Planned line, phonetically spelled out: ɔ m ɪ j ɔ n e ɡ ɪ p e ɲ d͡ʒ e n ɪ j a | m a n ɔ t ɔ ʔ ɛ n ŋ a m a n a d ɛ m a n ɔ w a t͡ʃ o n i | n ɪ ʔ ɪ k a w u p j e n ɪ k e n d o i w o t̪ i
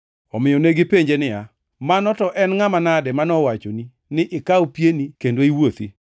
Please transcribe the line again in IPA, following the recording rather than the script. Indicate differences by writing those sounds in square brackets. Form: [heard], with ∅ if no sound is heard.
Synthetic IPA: ɔ m ɪ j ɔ n e ɡ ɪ p e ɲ d͡ʒ e n ɪ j a | m a n ɔ t ɔ ʔ ɛ n ŋ a m a n a d ɛ m a n ɔ w a t͡ʃ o n i | n ɪ ʔ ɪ k a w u p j e n [i] k e n d o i w o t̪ i